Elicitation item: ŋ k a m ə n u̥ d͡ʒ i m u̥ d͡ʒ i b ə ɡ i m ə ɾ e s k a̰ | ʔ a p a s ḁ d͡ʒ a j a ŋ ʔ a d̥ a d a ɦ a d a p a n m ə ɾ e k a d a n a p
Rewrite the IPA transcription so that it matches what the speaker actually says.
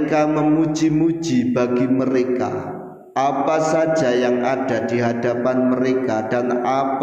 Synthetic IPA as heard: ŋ k a m ə m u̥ d͡ʒ i m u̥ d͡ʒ i b a ɡ i m ə ɾ e k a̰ | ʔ a p a s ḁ d͡ʒ a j a ŋ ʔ a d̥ a d i ɦ a d a p a n m ə ɾ e k a d a n a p